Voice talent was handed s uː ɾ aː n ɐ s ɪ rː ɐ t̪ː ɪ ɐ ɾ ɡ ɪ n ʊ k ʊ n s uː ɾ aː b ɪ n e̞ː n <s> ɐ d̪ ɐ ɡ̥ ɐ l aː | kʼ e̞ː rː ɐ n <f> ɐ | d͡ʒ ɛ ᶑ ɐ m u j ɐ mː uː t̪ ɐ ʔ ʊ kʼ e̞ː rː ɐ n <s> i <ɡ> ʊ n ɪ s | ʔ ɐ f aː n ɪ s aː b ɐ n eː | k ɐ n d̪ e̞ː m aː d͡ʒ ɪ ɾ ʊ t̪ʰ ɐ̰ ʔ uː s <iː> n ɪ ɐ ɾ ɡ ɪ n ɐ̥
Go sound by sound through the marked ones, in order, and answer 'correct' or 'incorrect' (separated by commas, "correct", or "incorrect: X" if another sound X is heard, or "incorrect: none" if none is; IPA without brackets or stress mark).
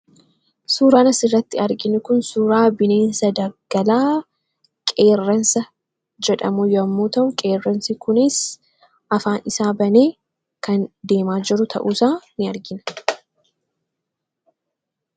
correct, incorrect: s, correct, incorrect: k, incorrect: aː